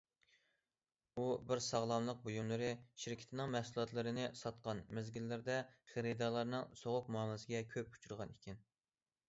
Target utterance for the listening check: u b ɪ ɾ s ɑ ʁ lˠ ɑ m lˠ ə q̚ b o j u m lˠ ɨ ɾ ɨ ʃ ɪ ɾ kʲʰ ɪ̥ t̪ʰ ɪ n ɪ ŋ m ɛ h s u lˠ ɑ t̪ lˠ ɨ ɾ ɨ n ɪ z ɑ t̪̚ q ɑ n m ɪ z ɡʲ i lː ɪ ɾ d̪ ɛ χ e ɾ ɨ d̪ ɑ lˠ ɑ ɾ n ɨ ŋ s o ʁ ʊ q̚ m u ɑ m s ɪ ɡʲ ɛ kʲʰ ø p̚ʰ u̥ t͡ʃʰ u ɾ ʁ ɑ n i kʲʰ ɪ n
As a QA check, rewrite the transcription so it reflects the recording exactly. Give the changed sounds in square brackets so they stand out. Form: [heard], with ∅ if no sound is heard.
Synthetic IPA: u b ɪ ɾ s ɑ ʁ lˠ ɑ m lˠ ə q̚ b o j u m lˠ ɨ ɾ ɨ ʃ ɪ ɾ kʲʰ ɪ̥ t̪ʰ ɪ n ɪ ŋ m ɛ h s u lˠ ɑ t̪ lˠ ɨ ɾ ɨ n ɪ [s] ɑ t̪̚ q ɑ n m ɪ z ɡʲ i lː ɪ ɾ d̪ ɛ χ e ɾ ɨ d̪ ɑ lˠ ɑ ɾ n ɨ ŋ s o ʁ ʊ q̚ m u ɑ m s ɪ ɡʲ ɛ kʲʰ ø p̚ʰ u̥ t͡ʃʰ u ɾ ʁ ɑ n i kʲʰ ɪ n